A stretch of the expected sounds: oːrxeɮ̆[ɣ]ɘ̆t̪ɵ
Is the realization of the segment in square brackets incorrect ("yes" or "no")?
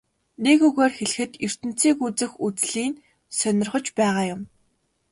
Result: yes